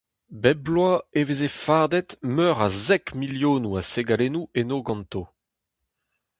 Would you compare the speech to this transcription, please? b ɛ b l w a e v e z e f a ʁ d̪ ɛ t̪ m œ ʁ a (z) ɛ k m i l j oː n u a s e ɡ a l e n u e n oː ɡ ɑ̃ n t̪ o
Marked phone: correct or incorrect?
correct